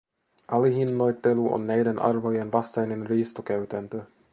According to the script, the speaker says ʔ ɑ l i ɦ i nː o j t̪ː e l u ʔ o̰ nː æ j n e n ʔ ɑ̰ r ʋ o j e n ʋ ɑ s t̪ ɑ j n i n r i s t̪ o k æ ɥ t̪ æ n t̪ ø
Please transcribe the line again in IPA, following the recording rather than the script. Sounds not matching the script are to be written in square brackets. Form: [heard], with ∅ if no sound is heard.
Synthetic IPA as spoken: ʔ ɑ l i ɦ i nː o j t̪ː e l u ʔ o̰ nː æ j [d] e n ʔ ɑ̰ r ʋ o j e n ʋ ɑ s t̪ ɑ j n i n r [iː] s t̪ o k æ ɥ t̪ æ n t̪ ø